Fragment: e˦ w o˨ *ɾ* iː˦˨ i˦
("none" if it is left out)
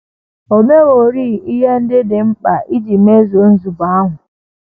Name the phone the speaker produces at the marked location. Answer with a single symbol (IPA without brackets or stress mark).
ɾ